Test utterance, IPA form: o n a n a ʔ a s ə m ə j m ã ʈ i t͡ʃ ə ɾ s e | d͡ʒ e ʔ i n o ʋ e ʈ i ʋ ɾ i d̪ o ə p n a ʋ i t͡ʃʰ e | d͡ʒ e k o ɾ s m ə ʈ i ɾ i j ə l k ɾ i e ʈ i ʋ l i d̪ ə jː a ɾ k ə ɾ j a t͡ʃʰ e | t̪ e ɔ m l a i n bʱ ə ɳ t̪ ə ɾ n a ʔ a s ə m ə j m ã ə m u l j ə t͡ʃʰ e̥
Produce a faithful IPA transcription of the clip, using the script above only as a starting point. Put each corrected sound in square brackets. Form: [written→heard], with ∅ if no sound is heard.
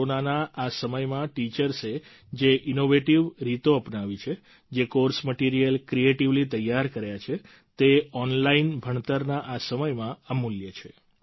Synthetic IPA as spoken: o n a n a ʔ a s ə m ə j m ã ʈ i t͡ʃ ə ɾ s e | d͡ʒ e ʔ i n o ʋ e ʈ i ʋ ɾ i [d̪→t̪] o ə p n a ʋ i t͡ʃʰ e | d͡ʒ e k o ɾ s m ə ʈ i ɾ i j ə l k ɾ i e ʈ i ʋ l i [d̪→t̪] ə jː a ɾ k ə ɾ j a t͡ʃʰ e | t̪ e ɔ [m→n] l a i n bʱ ə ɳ t̪ ə ɾ n a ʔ a s ə m ə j m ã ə m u l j ə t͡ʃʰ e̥